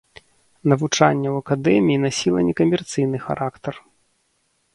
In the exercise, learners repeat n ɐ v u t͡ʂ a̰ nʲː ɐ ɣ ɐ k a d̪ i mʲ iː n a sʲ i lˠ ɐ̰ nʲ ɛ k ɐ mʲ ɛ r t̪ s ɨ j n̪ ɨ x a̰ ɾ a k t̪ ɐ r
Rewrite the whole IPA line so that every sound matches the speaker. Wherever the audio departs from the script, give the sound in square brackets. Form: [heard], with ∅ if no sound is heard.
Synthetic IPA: n ɐ v u t͡ʂ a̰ nʲː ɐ [w] ɐ k a d̪ [ɛ] mʲ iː n a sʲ i lˠ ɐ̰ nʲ ɛ k ɐ mʲ ɛ r t̪ s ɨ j n̪ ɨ x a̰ ɾ a k t̪ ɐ r